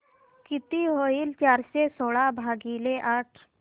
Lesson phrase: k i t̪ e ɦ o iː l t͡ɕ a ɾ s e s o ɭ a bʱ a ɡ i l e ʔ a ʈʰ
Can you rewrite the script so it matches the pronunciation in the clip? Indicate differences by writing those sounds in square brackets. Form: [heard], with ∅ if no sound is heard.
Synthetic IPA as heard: k i t̪ [i] ɦ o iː l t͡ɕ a ɾ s e s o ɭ a bʱ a ɡ i l e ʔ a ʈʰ